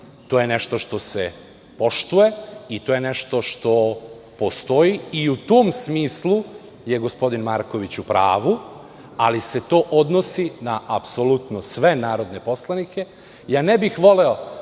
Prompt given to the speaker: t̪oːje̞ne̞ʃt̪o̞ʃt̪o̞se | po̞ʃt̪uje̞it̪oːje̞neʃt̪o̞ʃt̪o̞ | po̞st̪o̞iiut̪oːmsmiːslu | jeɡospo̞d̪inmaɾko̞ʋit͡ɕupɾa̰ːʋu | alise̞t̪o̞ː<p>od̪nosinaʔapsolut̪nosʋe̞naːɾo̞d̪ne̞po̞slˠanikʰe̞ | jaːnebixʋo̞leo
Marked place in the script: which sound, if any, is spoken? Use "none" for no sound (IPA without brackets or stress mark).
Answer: ʔ